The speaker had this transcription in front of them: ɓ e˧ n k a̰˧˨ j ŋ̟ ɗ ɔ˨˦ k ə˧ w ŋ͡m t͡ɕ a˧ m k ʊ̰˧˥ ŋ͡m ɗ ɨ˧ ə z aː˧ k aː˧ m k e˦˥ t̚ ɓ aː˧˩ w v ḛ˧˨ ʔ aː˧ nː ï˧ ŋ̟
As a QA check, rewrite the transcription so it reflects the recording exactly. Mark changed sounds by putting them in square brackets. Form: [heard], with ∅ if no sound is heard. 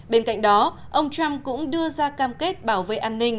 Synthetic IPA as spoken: ɓ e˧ n k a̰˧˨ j ŋ̟ ɗ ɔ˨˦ [ʔ] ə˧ w ŋ͡m t͡ɕ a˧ m k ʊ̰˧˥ ŋ͡m ɗ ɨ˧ ə z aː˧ k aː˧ m k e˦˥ t̚ ɓ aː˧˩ w v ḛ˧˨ ʔ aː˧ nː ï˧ ŋ̟

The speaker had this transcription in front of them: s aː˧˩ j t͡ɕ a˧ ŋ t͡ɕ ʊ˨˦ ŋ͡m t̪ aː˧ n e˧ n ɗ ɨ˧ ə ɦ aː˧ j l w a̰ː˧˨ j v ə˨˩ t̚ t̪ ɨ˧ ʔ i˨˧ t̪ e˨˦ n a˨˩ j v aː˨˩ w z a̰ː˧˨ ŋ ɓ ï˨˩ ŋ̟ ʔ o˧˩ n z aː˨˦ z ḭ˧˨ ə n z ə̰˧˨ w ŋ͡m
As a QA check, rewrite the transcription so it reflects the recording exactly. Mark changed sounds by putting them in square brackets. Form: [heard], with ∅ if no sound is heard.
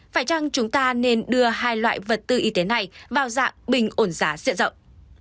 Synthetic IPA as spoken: [f] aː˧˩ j t͡ɕ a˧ ŋ t͡ɕ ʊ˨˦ ŋ͡m t̪ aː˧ n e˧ n ɗ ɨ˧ ə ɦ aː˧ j l w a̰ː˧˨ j v ə˨˩ t̚ t̪ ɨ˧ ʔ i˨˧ t̪ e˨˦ n a˨˩ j v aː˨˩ w z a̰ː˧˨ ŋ ɓ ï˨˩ ŋ̟ ʔ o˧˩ n z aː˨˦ z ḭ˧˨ ə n z ə̰˧˨ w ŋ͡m

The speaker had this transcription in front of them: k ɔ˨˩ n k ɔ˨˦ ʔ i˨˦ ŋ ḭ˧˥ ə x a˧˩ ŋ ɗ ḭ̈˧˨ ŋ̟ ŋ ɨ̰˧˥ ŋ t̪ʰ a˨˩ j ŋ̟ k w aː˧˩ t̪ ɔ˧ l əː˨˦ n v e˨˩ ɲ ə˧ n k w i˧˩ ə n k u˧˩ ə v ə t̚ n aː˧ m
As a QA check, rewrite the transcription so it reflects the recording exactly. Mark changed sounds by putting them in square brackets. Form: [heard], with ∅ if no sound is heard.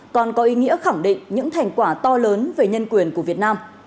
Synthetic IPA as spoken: k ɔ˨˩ n k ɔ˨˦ ʔ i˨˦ ŋ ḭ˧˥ ə x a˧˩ ŋ ɗ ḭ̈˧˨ ŋ̟ [ɲ] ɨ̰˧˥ ŋ t̪ʰ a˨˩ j ŋ̟ k w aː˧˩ t̪ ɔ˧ l əː˨˦ n v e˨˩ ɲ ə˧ n k w i˧˩ ə n k u˧˩ ə v ə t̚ n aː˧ m

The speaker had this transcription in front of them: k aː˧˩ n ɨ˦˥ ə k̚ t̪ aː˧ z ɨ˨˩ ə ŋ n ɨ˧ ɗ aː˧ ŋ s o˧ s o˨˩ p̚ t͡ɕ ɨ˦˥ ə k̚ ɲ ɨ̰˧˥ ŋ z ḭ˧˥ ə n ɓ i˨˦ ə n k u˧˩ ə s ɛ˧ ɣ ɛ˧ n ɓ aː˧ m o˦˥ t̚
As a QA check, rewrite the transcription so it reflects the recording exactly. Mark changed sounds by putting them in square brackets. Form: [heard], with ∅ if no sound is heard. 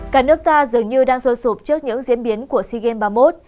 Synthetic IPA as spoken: k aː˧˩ n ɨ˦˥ ə k̚ t̪ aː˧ z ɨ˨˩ ə ŋ [ɲ] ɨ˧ ɗ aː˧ ŋ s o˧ s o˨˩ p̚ t͡ɕ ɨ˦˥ ə k̚ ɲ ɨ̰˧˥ ŋ z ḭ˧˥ ə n ɓ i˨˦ ə n k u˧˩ ə s [i˧] ɣ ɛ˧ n ɓ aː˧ m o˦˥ t̚

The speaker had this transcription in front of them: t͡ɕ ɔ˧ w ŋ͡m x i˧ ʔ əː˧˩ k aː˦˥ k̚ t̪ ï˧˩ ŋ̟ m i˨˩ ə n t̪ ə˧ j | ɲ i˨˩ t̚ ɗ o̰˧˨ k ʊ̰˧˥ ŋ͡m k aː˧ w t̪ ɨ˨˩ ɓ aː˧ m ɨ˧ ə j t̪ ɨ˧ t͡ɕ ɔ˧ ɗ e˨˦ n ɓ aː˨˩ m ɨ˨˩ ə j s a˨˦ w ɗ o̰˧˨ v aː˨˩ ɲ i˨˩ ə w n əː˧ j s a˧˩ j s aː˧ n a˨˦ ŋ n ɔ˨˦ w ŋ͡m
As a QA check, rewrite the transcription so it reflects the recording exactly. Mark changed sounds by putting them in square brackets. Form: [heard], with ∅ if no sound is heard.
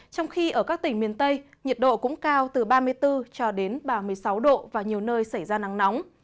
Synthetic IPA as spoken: t͡ɕ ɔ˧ w ŋ͡m x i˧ ʔ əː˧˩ k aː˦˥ k̚ t̪ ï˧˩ ŋ̟ m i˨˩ ə n t̪ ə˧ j | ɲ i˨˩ t̚ ɗ o̰˧˨ k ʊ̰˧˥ ŋ͡m k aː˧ w t̪ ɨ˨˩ ɓ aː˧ m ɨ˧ ə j t̪ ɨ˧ t͡ɕ ɔ˧ ɗ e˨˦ n ɓ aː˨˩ m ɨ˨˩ ə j s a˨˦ w ɗ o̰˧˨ v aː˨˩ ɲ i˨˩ ə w n əː˧ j s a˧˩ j [z] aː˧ n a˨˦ ŋ n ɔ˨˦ w ŋ͡m

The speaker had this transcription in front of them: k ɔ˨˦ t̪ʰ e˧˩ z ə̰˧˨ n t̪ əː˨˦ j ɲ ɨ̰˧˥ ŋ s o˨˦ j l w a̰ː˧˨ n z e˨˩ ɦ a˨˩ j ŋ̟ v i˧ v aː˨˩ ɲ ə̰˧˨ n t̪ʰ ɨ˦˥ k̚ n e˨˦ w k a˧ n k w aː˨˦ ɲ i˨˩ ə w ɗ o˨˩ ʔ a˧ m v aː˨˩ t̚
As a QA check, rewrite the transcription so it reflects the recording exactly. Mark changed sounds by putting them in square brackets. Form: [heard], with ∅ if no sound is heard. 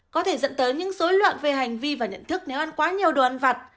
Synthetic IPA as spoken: k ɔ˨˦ t̪ʰ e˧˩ z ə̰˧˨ n t̪ əː˨˦ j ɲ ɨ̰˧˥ ŋ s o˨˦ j l w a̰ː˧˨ n [v] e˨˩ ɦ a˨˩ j ŋ̟ v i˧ v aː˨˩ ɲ ə̰˧˨ n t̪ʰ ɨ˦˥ k̚ n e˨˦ w [ʔ] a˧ n k w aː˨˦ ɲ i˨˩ ə w ɗ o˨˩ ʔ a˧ [n] v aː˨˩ t̚

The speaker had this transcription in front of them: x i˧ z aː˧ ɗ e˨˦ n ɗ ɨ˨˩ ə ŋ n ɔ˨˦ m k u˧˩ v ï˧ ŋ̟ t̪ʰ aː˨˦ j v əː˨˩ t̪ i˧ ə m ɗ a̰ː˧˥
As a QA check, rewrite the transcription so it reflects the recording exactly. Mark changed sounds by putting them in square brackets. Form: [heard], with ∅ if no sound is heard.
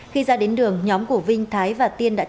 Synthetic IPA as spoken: x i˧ z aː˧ ɗ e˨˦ n ɗ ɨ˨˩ ə ŋ [ɲ] ɔ˨˦ m k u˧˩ v ï˧ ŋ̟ t̪ʰ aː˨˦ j v [aː˨˩] t̪ i˧ ə [n] ɗ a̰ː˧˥

